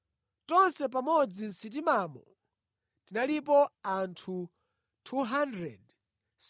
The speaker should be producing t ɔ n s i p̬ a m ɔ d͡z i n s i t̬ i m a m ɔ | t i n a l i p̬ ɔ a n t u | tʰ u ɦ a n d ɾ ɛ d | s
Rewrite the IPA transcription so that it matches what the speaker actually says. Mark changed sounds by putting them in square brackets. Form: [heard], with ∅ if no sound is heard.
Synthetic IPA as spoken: t ɔ n s [ɛ] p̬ a m ɔ d͡z i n s i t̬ i m a m ɔ | t i n a l i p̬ ɔ a n [tʰ] u | tʰ u ɦ a n d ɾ ɛ d | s